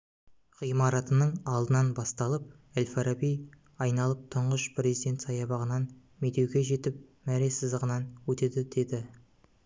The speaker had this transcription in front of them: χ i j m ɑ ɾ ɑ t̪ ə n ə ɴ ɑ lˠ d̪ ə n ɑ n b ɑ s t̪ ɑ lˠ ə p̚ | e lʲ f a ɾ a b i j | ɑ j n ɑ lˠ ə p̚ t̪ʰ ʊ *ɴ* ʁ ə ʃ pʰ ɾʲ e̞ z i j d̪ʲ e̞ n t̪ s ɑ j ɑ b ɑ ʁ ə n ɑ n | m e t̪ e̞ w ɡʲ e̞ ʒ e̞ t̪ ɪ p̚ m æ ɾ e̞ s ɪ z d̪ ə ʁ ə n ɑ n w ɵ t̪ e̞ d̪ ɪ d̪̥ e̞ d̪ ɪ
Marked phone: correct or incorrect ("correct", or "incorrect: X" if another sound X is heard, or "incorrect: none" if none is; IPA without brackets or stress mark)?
correct